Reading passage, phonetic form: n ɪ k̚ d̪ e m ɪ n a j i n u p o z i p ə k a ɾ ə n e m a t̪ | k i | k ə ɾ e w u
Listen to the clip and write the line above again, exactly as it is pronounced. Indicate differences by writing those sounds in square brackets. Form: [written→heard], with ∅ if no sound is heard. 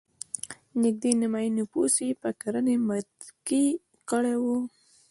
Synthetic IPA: n ɪ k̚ d̪ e [m→n] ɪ [n→m] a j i n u p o [z→s] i p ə k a ɾ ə n e m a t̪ | k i | k ə [ɾ→ɽ] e w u